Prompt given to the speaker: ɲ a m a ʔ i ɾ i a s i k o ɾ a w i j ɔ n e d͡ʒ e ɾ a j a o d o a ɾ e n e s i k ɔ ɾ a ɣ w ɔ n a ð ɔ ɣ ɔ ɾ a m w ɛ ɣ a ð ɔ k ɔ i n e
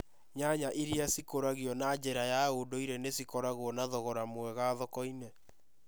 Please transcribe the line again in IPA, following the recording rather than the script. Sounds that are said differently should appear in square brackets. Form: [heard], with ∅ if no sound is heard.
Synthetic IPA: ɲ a [ɲ] a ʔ i ɾ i a s i k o ɾ a [ɣ] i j ɔ n [a] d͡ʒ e ɾ a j a o d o [i] ɾ e n e s i k ɔ ɾ a ɣ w ɔ n a ð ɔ ɣ ɔ ɾ a m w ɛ ɣ a ð ɔ k ɔ i n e